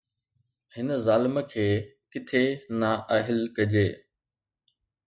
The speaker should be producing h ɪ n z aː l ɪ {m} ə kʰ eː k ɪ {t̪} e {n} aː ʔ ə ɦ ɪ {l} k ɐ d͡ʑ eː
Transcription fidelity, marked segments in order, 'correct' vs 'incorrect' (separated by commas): correct, incorrect, correct, correct